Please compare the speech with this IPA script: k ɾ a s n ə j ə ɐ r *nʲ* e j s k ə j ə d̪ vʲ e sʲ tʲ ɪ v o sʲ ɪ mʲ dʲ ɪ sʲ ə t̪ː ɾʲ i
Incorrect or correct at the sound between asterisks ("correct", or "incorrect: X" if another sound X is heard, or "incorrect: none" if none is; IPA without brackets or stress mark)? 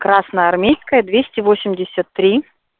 incorrect: mʲ